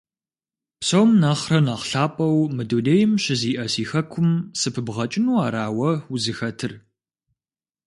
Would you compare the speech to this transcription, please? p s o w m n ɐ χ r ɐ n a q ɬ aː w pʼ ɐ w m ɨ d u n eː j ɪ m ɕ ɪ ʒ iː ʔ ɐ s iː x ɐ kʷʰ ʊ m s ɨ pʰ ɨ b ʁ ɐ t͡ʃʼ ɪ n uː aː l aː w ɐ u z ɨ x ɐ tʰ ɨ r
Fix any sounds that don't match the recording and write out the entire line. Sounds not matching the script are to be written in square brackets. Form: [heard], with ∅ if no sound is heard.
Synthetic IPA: p s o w m n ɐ χ r ɐ n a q ɬ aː [∅] pʼ ɐ w m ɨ d u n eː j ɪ m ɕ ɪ [z] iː ʔ ɐ s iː x ɐ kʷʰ ʊ m s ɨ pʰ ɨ b ʁ ɐ t͡ʃʼ ɪ n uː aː [ɾ] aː w ɐ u z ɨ x ɐ tʰ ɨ r

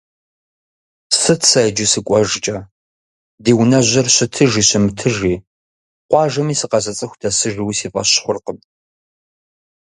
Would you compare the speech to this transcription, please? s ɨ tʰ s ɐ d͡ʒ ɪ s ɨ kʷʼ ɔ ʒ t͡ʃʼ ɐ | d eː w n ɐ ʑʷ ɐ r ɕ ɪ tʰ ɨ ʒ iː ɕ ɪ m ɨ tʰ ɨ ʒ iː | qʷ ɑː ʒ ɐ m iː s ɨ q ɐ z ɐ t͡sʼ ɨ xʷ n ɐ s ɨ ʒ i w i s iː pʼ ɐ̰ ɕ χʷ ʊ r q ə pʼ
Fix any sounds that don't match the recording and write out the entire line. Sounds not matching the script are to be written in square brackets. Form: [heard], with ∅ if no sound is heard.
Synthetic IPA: s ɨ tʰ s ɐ d͡ʒ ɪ s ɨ kʷʼ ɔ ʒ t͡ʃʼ ɐ | d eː w n ɐ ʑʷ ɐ r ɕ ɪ tʰ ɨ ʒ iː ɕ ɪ m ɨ tʰ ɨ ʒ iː | qʷ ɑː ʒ ɐ m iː s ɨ q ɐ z ɐ t͡sʼ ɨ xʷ [d] ɐ s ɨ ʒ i w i s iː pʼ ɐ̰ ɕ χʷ ʊ r q ə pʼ

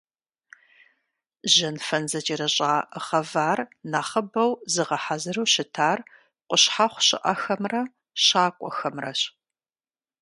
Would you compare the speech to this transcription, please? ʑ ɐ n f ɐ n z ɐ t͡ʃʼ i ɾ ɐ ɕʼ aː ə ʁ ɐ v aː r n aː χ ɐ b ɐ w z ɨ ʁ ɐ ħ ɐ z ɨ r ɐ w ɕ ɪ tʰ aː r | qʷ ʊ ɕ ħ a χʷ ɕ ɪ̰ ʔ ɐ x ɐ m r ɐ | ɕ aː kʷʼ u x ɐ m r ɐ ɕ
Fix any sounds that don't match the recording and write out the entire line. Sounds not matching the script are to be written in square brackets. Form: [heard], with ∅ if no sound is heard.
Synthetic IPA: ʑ ɐ n f ɐ n z ɐ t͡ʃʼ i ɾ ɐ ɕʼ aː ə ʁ ɐ v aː r n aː χ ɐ b ɐ w z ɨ ʁ ɐ ħ [a] z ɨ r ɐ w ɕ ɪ tʰ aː r | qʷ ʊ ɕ ħ a χʷ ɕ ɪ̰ ʔ ɐ x ɐ m r ɐ | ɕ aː kʷʼ [ɔ] x ɐ m r ɐ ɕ

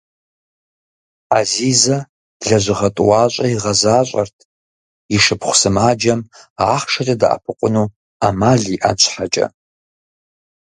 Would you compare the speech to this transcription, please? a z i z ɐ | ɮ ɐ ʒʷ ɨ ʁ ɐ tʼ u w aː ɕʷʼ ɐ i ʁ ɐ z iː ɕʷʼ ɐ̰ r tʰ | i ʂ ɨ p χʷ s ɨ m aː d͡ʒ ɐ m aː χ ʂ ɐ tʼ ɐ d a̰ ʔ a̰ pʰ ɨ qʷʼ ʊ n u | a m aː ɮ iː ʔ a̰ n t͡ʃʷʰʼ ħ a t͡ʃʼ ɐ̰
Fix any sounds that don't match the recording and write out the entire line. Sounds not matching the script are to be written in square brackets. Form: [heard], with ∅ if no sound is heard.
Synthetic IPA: a z i z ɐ | ɮ ɐ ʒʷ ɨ ʁ ɐ tʼ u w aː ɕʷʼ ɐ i ʁ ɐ z [aː] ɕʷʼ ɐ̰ r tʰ | i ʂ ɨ p χʷ s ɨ m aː d͡ʒ ɐ m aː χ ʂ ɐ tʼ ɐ d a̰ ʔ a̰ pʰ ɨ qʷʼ ʊ n u | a m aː ɮ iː ʔ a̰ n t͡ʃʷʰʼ ħ a t͡ʃʼ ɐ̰

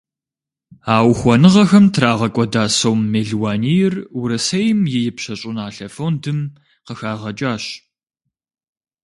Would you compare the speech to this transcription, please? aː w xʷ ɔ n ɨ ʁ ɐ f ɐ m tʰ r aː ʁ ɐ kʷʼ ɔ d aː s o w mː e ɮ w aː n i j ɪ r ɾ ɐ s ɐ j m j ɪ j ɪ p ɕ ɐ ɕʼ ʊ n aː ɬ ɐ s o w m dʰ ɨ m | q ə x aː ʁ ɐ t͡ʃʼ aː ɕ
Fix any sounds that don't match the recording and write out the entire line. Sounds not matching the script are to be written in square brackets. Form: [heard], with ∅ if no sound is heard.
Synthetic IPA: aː w xʷ ɔ n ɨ ʁ ɐ [x] ɐ m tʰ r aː ʁ ɐ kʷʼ ɔ d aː s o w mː e ɮ w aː n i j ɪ r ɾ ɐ s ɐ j m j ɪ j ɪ p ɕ ɐ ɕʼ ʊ n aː ɬ ɐ [f] o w [n] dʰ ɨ m | q ə x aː ʁ ɐ t͡ʃʼ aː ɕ

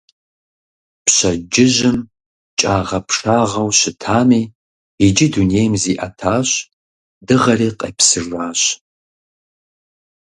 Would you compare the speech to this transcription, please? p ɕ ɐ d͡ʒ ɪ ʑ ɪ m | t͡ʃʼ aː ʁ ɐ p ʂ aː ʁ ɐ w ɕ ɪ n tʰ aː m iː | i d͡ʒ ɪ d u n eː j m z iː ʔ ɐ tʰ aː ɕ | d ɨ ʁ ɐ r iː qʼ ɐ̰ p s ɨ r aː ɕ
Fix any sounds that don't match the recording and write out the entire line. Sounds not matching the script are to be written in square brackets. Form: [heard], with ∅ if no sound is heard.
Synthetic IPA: p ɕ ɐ d͡ʒ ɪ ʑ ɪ m | t͡ʃʼ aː ʁ ɐ p ʂ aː ʁ ɐ w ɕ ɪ [∅] tʰ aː m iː | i d͡ʒ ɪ d u n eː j m z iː ʔ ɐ tʰ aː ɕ | d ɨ ʁ ɐ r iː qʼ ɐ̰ p s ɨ r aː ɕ

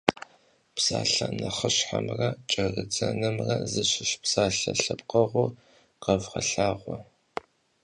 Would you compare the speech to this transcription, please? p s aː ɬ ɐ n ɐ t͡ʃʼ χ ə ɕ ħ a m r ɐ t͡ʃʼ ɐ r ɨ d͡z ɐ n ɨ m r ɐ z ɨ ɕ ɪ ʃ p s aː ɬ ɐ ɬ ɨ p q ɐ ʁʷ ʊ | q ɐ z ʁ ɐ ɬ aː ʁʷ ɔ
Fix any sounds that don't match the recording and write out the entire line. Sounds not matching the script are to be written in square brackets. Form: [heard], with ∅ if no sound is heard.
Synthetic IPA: p s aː ɬ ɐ n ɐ [∅] χ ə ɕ ħ a m r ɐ t͡ʃʼ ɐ r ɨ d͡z ɐ n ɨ m r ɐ z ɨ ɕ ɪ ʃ p s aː ɬ ɐ ɬ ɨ p q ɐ ʁʷ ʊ | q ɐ [v] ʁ ɐ ɬ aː ʁʷ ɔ

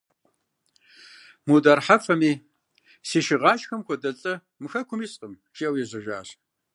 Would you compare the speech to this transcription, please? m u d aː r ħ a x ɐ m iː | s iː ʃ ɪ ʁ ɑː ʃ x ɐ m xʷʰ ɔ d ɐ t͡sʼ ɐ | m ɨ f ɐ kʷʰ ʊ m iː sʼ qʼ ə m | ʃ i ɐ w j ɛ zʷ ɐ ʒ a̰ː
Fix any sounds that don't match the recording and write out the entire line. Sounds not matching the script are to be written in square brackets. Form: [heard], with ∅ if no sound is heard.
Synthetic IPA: m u d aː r ħ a [f] ɐ m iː | s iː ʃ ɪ ʁ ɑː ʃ x ɐ m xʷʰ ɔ d ɐ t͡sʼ ɐ | m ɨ [x] ɐ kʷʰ ʊ m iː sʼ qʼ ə m | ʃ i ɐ w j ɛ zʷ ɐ ʒ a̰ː

